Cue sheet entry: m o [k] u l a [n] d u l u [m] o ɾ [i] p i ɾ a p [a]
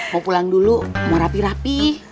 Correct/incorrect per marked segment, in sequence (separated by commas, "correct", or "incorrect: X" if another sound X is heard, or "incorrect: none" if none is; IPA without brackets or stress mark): incorrect: p, incorrect: ŋ, correct, incorrect: a, incorrect: i